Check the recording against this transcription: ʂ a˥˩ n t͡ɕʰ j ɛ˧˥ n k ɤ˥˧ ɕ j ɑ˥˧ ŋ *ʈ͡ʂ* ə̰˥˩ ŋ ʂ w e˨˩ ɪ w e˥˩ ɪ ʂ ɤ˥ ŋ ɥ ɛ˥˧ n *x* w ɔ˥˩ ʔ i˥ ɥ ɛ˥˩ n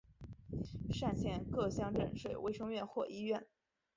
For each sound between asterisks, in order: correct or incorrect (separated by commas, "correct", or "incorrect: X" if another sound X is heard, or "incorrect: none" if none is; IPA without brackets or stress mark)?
correct, correct